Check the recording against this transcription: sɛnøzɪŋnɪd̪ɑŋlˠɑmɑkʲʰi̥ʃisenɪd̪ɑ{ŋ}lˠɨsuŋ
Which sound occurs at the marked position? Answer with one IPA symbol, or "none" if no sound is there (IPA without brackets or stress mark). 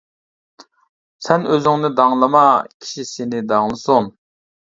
ŋ